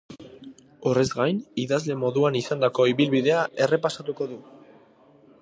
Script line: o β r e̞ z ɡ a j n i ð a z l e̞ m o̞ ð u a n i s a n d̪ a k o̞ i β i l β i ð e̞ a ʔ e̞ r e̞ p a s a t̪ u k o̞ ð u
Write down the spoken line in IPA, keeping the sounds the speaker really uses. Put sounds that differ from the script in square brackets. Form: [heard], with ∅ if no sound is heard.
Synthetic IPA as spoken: o [∅] r e̞ z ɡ a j n i ð a z l e̞ m o̞ ð u a n i s a n d̪ a k o̞ i β i l β i ð e̞ a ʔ e̞ r e̞ p a s a t̪ u k o̞ ð u